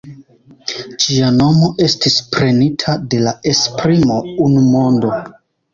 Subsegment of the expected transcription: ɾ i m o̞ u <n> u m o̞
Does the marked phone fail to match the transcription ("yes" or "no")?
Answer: no